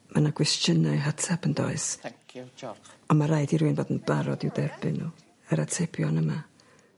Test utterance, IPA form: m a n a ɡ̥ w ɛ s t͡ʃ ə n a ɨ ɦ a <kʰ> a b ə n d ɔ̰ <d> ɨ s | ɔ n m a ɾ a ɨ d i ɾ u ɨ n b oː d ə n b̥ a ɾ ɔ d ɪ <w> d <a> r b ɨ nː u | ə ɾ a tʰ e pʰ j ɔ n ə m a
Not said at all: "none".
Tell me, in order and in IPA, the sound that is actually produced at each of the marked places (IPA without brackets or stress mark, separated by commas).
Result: tʰ, none, w, ɛ